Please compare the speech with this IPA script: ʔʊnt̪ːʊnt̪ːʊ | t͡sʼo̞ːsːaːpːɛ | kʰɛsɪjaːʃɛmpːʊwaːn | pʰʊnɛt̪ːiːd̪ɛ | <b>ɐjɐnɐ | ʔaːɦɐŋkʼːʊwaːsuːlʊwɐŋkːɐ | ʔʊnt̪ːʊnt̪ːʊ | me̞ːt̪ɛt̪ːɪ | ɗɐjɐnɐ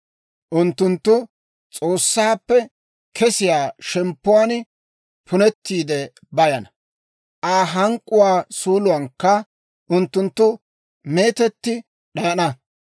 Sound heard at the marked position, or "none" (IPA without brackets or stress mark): b